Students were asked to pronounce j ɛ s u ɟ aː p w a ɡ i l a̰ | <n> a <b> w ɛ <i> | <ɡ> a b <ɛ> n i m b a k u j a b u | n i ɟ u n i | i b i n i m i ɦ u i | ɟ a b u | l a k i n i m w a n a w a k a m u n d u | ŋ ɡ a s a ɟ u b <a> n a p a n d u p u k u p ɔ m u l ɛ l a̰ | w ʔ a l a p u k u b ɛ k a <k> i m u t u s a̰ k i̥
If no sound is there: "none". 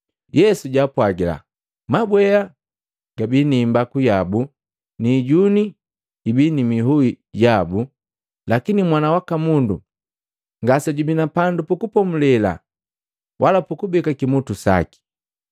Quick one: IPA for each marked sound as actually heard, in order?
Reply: m, b, a, ɡ, i, i, k

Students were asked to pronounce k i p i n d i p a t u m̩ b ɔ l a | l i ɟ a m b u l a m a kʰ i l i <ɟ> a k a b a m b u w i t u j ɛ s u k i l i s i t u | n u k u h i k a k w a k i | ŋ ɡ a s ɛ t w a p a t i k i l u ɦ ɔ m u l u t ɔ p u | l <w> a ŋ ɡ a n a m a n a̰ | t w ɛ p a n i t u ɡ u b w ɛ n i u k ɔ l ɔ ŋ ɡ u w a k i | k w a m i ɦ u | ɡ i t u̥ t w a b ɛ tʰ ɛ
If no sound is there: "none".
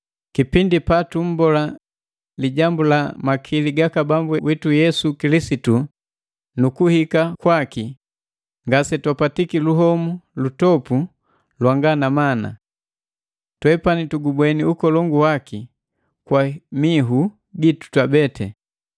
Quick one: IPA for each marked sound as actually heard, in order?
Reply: ɡ, w

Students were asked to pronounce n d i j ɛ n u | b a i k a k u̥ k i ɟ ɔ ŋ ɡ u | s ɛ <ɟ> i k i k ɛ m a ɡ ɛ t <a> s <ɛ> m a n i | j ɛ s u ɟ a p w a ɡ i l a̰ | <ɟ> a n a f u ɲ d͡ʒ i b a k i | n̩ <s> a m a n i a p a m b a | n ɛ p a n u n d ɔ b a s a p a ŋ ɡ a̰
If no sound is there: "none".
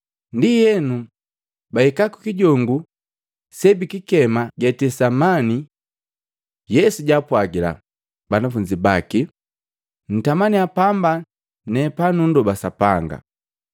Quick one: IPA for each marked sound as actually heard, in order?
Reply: b, ɛ, a, b, t

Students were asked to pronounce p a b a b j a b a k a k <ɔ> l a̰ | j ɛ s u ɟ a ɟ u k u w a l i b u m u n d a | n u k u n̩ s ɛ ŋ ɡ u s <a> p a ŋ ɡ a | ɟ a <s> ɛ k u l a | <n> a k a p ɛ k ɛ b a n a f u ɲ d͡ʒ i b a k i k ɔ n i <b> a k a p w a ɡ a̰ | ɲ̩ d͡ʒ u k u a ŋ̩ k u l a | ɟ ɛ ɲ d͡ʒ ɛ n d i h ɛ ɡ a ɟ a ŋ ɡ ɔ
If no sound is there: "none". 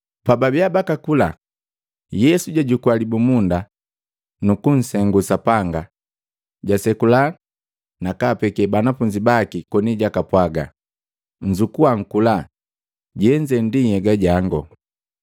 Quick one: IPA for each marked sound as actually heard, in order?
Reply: u, a, s, n, ɟ

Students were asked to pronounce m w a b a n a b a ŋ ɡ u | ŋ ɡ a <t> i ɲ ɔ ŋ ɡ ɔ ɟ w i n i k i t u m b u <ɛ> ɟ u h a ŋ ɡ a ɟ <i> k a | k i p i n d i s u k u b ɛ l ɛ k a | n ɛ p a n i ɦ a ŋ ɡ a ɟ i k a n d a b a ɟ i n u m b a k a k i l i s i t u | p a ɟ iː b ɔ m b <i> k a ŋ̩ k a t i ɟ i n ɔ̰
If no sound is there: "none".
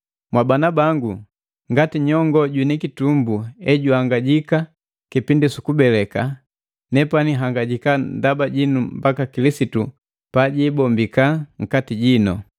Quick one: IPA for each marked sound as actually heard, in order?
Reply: t, ɛ, i, i

